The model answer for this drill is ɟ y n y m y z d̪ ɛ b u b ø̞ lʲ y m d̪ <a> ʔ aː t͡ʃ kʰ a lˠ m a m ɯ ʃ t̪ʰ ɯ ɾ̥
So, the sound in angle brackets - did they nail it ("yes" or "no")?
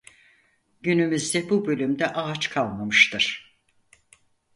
no